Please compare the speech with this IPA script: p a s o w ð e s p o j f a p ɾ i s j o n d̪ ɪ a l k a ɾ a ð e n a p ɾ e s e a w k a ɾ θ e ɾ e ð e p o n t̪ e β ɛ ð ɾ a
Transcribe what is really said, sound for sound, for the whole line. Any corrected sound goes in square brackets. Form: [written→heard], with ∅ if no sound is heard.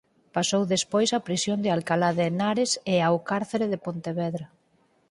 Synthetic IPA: p a s o w ð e s p o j [f→s] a p ɾ i s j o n d̪ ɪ a l k a [ɾ→l] a ð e n a [p→∅] ɾ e s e a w k a ɾ θ e ɾ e ð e p o n t̪ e β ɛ ð ɾ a